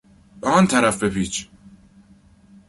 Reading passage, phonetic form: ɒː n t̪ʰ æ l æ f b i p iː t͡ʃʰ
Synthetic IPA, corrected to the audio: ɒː n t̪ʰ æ ɾ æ f b e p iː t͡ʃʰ

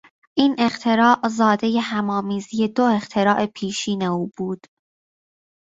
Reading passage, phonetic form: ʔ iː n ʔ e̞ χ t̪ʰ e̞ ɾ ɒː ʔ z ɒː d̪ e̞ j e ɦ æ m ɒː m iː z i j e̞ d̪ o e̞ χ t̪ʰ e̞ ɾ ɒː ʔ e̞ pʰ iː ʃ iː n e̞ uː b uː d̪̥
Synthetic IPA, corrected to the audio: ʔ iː n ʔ e̞ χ t̪ʰ e̞ ɾ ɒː ʔ z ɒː d̪ e̞ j e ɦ æ m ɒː m iː z i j e̞ d̪ o e̞ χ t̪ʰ e̞ ɾ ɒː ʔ e̞ pʰ iː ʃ iː n e̞ uː b uː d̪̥

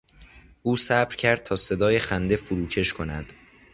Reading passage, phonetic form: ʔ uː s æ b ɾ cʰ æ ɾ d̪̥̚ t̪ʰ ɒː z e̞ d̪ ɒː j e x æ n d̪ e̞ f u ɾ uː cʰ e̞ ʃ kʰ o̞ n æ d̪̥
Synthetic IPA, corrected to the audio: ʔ uː s æ b ɾ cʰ æ ɾ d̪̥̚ t̪ʰ ɒː s e̞ d̪ ɒː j e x æ n d̪ e̞ f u ɾ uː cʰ e̞ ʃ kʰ o̞ n æ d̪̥

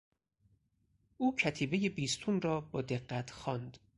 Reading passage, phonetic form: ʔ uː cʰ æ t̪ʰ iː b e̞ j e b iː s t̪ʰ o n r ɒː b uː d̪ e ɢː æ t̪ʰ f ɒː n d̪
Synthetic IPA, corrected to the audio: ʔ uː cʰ æ t̪ʰ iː b e̞ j e b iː s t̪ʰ u n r ɒː b ɒː d̪ e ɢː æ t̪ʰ x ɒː n d̪

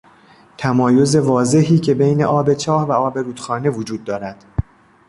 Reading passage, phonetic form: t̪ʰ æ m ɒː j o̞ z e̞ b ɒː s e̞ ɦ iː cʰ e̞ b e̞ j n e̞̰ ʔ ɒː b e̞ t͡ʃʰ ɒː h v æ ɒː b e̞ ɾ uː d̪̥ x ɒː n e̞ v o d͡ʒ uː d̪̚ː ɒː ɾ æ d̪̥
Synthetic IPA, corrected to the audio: t̪ʰ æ m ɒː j o̞ z e̞ v ɒː z e̞ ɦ iː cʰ e̞ b e̞ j n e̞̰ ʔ ɒː b e̞ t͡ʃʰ ɒː h v æ ɒː b e̞ ɾ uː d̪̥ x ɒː n e̞ v o d͡ʒ uː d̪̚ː ɒː ɾ æ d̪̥

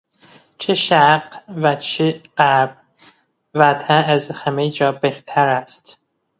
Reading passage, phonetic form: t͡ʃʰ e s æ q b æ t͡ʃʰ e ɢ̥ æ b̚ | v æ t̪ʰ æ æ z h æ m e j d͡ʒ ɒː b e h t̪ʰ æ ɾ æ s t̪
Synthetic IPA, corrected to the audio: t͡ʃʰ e ʃ æ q v æ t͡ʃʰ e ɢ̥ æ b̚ | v æ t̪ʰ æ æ z h æ m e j d͡ʒ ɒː b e h t̪ʰ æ ɾ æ s t̪

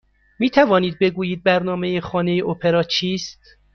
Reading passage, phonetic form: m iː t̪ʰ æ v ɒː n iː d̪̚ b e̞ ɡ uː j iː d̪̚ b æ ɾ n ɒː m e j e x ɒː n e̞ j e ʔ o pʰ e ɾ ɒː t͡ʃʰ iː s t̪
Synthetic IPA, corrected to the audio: m iː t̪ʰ æ v ɒː n iː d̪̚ b e̞ ɡ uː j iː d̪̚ b æ ɾ n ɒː m e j e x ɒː n e̞ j e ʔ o pʰ e ɾ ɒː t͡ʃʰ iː s t̪

